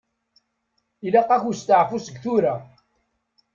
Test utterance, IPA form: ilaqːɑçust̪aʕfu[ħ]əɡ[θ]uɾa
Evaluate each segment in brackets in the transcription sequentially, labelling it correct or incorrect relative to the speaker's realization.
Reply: incorrect: s, correct

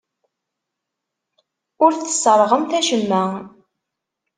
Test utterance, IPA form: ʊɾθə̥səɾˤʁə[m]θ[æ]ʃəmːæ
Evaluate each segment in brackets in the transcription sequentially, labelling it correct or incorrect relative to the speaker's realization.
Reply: correct, correct

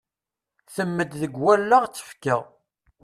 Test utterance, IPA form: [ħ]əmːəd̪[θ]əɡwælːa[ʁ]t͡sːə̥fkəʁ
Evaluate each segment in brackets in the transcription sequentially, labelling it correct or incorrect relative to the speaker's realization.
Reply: incorrect: θ, incorrect: ð, correct

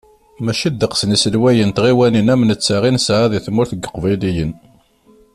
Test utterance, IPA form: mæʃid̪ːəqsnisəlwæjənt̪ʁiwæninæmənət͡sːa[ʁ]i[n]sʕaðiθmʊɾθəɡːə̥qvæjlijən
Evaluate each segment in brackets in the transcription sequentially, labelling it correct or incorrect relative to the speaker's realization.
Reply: correct, correct

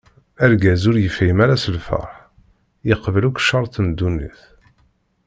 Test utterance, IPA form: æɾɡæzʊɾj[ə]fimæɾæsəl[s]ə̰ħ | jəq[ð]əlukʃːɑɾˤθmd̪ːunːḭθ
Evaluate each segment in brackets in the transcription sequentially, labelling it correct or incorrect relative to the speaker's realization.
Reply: correct, incorrect: f, incorrect: v

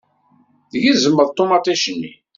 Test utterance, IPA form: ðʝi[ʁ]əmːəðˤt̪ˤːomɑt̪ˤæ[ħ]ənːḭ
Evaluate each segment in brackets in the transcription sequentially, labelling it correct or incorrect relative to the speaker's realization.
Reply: incorrect: z, incorrect: ʃ

